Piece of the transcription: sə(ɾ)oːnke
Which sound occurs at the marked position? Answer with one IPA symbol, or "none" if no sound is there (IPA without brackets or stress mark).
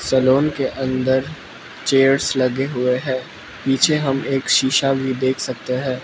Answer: l